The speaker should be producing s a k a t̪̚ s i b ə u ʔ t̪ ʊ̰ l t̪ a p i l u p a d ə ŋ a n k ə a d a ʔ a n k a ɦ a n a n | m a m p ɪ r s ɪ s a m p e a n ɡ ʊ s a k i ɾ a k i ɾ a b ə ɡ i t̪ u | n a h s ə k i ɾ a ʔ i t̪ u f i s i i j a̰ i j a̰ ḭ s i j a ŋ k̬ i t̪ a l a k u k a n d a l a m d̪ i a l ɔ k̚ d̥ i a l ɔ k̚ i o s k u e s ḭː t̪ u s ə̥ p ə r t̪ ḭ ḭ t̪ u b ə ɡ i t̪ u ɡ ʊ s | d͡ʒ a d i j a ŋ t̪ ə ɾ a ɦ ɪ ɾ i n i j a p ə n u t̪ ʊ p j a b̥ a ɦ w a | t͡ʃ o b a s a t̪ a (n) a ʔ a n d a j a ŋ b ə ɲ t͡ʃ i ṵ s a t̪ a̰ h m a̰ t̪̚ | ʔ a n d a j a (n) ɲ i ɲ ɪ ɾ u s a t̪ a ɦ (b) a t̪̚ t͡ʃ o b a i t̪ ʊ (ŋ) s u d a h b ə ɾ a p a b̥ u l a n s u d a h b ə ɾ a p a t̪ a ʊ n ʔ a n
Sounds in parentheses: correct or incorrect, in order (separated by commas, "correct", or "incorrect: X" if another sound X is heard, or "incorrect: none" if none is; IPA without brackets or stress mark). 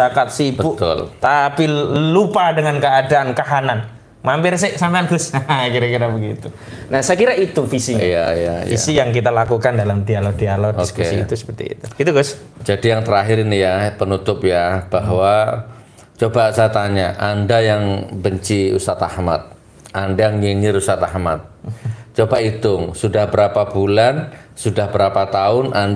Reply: incorrect: ɲ, incorrect: ŋ, incorrect: m, correct